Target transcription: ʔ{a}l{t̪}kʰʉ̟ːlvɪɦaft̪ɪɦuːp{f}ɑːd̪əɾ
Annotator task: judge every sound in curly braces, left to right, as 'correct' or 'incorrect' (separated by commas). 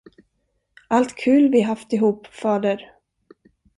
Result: correct, correct, correct